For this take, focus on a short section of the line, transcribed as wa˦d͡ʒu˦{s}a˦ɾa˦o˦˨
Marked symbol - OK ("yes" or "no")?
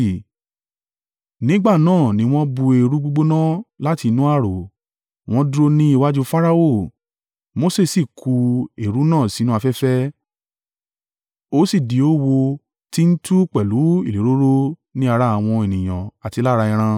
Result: no